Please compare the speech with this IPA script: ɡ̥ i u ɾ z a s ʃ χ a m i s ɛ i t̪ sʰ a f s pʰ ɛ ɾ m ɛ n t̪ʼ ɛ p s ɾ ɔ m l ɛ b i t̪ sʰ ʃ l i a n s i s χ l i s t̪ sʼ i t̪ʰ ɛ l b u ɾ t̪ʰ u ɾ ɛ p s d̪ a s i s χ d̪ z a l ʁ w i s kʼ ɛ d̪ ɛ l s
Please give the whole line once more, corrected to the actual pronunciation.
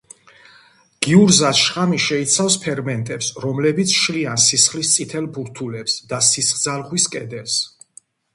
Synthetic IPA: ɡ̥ i u ɾ z a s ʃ χ a m i ʃ ɛ i t̪ sʰ a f s pʰ ɛ ɾ m ɛ n t̪ʼ ɛ p s ɾ ɔ m l ɛ b i t̪ sʰ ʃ l i a n s i s χ l i s t̪ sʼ i t̪ʰ ɛ l b u ɾ t̪ʰ u l ɛ p s d̪ a s i s χ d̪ z a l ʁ w i s kʼ ɛ d̪ ɛ l s